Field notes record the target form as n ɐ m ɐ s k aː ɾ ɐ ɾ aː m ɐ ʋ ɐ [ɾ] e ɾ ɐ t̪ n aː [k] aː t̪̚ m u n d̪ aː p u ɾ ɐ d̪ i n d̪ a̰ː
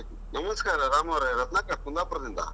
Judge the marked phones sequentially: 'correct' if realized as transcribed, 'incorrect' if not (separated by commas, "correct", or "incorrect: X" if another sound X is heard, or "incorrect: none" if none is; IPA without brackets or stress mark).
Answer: correct, correct